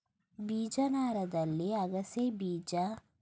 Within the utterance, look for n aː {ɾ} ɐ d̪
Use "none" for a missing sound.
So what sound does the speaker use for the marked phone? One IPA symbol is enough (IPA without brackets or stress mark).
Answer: ɾ